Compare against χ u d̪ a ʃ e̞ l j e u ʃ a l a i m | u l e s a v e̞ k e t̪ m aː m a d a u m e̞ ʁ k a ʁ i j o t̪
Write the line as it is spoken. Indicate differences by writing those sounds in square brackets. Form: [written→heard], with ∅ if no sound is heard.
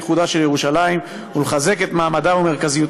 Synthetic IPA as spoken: χ u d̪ a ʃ e̞ l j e u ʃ a l a i m | u l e [s→χ] a [v→z] e̞ k e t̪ m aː m a d a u m e̞ ʁ k a [ʁ→z] i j [o→u] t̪